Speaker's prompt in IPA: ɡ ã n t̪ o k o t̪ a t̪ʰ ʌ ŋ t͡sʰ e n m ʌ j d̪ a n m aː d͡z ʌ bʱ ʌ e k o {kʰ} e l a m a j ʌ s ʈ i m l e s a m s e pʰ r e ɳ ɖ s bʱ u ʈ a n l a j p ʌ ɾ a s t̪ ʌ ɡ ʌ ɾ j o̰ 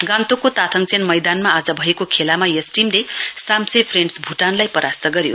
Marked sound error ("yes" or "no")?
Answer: no